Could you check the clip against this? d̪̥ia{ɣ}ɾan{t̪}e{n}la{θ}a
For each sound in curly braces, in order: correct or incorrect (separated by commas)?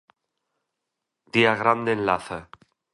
correct, incorrect, correct, correct